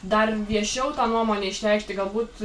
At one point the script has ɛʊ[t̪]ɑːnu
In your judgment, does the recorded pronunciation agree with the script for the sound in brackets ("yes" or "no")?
yes